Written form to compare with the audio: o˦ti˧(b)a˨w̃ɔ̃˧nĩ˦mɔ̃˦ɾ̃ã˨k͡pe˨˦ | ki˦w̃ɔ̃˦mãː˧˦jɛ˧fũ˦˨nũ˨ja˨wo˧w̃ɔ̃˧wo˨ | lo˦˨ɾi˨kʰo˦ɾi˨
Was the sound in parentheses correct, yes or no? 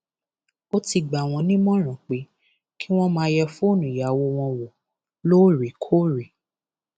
no